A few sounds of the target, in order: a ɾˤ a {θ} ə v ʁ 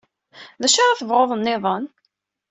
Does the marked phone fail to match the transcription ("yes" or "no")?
no